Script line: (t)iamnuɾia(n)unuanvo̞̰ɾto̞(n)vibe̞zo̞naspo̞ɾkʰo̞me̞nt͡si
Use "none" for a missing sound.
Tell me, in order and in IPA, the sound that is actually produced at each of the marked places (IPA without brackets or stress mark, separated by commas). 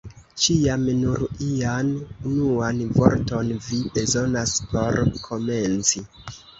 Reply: t͡ʃ, n, n